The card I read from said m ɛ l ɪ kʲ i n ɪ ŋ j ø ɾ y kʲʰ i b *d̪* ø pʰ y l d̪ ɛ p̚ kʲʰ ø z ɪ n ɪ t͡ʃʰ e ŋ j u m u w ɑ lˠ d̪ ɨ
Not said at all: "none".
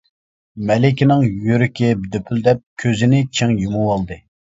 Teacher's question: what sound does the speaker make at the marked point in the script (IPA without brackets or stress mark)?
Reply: d̪